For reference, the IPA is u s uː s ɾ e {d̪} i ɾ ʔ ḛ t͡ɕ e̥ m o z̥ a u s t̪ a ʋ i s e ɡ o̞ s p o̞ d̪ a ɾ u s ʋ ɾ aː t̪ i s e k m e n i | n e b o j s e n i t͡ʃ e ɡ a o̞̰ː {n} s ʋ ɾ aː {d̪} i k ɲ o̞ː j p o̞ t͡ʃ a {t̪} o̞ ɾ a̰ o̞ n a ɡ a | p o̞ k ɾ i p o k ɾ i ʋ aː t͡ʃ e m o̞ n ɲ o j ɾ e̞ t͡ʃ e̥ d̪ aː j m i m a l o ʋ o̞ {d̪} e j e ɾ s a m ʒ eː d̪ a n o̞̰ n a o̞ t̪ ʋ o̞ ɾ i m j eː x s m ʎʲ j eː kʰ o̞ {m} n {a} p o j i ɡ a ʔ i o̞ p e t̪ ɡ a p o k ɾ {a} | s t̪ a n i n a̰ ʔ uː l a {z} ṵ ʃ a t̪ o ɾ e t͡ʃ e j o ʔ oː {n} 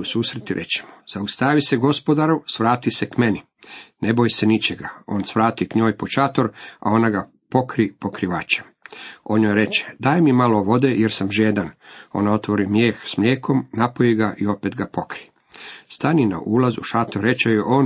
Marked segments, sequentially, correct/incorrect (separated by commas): incorrect, correct, incorrect, correct, correct, correct, correct, incorrect, correct, correct